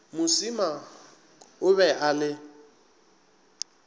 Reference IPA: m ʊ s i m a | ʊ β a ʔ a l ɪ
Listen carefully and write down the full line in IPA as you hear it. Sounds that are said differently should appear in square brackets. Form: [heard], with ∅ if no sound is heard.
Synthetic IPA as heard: m ʊ s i m a | ʊ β [ɛ] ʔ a l ɪ